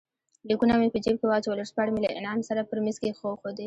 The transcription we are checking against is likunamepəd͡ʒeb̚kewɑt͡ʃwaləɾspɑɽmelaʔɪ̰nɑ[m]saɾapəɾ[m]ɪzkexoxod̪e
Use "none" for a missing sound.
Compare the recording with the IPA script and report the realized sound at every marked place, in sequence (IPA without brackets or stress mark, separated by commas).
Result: m, m